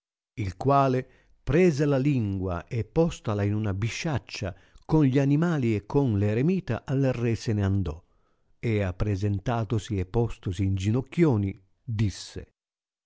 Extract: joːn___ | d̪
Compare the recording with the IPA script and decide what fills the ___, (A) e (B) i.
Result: B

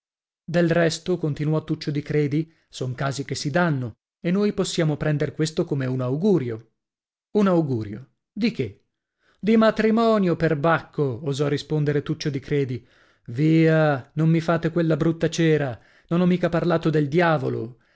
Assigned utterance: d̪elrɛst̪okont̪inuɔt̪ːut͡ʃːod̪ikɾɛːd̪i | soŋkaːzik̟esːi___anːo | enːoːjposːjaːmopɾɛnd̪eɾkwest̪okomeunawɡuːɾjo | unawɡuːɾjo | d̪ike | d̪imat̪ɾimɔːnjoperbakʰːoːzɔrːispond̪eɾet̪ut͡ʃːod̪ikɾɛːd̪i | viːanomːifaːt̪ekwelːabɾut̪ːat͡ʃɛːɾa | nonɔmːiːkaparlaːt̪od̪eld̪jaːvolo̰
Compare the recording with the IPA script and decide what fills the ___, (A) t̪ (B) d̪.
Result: B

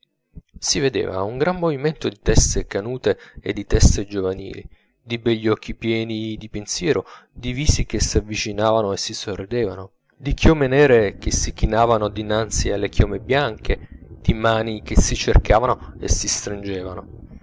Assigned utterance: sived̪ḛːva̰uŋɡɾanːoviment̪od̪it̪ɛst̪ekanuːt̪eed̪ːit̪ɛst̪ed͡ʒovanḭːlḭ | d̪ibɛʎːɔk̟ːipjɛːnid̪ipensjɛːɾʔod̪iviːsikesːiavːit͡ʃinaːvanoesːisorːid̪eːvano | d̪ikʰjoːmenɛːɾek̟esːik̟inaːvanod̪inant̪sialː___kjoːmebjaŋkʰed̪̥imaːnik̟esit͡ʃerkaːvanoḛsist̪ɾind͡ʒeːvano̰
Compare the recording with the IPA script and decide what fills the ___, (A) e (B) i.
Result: A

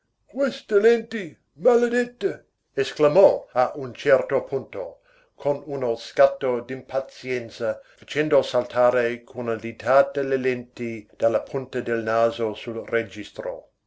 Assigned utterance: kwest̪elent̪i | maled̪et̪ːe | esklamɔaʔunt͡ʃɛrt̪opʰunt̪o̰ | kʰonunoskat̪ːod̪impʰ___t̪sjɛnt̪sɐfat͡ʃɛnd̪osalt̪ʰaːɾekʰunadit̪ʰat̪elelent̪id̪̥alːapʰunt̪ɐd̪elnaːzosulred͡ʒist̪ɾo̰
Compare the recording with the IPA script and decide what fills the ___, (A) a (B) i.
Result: A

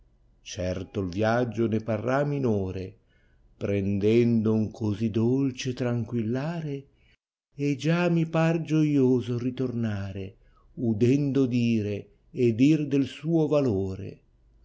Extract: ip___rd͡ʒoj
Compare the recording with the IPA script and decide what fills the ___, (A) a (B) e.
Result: A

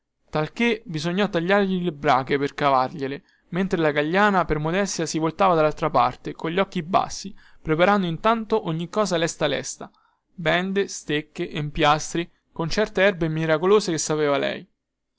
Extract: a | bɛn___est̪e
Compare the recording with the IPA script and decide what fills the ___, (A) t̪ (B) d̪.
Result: B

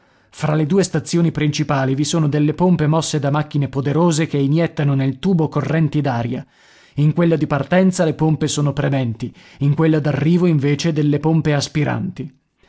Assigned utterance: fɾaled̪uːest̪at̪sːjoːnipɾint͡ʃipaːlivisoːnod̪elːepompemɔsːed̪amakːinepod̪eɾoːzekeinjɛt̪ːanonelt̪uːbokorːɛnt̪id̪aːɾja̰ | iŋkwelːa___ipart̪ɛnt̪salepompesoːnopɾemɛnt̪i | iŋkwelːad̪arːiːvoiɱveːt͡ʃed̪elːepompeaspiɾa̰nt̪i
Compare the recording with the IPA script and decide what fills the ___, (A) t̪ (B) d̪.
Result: B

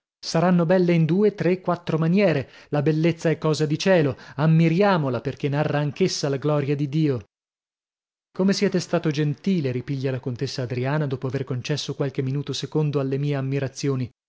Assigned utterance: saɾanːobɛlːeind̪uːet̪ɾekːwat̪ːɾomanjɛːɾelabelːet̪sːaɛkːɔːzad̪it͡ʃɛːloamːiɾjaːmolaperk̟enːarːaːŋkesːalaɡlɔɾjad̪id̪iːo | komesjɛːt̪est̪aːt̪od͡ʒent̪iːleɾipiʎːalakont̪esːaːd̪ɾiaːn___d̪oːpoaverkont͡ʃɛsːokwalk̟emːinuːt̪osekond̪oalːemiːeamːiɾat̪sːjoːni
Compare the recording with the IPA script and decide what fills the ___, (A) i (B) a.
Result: B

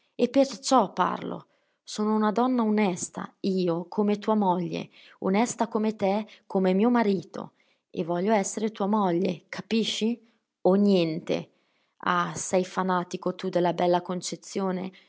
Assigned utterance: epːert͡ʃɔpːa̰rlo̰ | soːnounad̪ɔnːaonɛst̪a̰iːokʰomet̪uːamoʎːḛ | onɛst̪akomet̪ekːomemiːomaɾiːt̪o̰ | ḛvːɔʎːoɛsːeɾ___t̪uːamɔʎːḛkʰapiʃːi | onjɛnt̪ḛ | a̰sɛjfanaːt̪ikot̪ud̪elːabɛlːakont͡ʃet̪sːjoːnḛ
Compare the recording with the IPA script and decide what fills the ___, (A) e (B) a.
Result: A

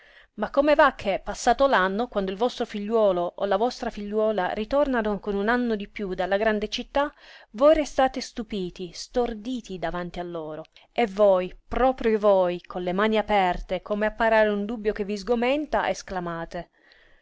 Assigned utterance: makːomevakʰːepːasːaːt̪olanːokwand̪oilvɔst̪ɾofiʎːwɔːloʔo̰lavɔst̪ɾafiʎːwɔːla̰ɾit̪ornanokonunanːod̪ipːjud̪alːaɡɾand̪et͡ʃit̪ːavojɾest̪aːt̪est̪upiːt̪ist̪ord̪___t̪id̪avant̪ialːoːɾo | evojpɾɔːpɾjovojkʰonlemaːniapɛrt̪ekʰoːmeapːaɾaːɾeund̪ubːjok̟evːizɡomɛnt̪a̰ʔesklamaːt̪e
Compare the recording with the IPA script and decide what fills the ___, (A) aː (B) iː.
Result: B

